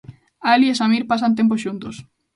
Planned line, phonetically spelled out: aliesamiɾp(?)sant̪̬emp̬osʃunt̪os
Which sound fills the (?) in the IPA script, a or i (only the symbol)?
a